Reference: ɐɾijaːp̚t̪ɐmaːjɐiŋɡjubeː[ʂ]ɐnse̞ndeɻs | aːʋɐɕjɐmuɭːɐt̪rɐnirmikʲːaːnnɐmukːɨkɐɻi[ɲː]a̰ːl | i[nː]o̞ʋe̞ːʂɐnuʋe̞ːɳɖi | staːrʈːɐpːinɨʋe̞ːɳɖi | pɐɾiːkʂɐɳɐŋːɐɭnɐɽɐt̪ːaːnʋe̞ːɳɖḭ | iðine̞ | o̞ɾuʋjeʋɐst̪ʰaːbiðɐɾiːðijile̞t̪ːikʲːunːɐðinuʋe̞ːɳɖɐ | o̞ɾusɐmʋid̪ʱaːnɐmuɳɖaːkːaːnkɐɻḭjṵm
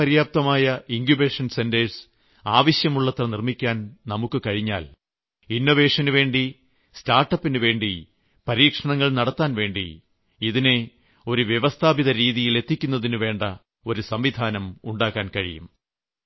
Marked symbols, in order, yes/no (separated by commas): yes, yes, yes